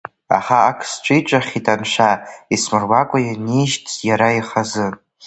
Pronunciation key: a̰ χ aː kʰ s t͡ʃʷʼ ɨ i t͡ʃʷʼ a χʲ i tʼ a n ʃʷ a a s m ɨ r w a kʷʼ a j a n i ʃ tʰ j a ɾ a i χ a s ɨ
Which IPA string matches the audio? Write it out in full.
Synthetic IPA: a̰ χ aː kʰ s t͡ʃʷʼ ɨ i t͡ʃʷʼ a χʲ i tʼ a n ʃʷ a i s m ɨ r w a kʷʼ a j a n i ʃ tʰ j a ɾ a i χ a z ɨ